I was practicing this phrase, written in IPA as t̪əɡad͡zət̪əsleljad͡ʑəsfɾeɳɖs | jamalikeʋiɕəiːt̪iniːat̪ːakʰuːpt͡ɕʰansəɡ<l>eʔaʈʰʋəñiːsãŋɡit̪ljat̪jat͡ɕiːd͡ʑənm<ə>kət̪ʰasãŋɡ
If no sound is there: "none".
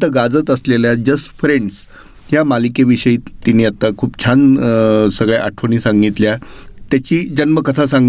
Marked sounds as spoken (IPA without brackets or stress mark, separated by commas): ɭ, ə